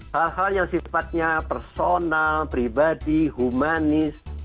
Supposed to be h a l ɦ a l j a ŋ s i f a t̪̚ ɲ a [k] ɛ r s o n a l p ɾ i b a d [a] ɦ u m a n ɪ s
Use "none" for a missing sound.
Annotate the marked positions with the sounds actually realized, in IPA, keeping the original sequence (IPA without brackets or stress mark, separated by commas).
p, i